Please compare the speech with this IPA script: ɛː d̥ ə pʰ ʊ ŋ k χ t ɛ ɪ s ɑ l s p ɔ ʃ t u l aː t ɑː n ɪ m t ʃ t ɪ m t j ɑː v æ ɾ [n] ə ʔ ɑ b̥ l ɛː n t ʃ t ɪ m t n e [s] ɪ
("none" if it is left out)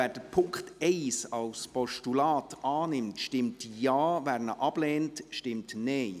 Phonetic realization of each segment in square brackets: n, none

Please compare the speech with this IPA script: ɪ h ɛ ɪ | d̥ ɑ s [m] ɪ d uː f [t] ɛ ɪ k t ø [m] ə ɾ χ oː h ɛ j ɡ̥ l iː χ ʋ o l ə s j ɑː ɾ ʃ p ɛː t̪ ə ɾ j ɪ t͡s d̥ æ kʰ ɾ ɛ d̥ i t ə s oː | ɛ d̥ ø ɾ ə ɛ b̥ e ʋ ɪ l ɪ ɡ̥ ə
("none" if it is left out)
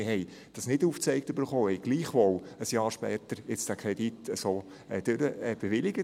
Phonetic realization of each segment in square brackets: n, t͡s, b

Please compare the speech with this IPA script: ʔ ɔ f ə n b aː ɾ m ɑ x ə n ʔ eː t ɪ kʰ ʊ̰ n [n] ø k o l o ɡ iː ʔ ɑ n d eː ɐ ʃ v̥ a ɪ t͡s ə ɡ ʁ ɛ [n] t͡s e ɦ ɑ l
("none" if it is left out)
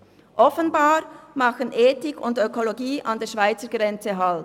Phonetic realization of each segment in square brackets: d, n

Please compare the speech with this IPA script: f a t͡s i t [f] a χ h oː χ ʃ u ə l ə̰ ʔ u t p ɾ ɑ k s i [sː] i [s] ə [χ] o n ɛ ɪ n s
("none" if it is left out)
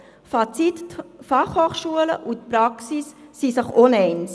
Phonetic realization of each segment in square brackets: f, sː, s, χ

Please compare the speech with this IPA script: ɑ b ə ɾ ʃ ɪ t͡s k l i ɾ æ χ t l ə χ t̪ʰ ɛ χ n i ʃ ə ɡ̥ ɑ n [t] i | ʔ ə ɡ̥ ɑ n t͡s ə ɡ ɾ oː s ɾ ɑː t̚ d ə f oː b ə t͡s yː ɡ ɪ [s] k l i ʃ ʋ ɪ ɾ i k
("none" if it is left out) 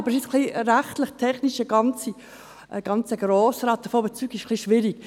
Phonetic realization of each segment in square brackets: t͡s, ʃ

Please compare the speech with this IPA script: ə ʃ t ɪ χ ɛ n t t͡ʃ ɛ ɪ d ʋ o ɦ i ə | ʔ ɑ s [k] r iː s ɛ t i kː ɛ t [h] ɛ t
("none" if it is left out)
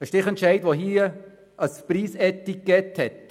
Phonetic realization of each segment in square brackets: p, h

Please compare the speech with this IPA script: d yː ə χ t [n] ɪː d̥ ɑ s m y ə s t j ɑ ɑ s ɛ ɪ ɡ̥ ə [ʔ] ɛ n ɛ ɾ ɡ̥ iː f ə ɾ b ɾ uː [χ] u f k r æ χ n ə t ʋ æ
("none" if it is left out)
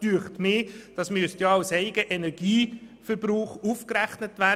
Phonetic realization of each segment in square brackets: m, ʔ, χ

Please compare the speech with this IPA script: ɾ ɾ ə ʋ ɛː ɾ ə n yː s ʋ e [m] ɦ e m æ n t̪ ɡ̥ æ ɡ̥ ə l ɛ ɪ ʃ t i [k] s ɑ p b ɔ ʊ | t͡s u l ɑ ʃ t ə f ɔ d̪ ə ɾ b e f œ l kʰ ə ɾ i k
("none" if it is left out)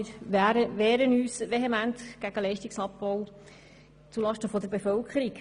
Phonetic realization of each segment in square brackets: none, k

